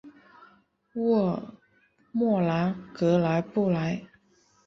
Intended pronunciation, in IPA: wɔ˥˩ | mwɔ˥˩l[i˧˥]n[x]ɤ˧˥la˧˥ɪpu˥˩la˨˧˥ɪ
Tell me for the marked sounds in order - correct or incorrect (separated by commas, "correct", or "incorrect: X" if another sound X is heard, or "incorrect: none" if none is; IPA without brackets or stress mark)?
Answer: incorrect: a˧˥, incorrect: k